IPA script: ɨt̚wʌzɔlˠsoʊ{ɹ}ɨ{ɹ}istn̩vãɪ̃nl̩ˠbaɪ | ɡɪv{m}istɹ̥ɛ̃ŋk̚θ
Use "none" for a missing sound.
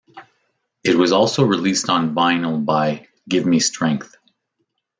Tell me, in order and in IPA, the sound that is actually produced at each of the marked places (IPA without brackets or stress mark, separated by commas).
ɹ, l, m